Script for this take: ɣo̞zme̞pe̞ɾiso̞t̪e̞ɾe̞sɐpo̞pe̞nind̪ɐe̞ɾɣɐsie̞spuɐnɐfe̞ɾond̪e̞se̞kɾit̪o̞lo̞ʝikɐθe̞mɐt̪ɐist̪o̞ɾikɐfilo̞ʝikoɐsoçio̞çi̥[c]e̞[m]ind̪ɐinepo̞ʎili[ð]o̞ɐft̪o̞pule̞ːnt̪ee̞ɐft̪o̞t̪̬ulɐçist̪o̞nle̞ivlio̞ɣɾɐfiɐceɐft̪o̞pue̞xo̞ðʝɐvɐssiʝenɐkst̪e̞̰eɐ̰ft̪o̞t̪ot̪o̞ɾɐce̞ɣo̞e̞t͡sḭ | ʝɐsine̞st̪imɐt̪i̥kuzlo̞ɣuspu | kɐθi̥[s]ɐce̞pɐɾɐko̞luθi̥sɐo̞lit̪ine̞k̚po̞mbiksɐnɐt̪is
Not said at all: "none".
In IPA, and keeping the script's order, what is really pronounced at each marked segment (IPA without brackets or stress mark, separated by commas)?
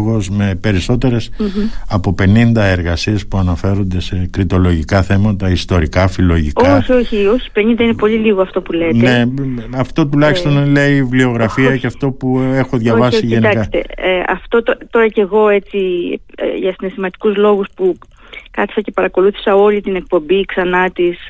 p, n, ɣ, s